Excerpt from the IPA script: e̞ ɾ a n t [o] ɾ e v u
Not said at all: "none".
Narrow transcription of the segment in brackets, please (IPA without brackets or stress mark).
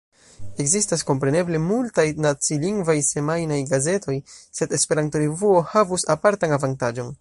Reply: o